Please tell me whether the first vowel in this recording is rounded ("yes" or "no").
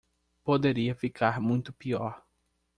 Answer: yes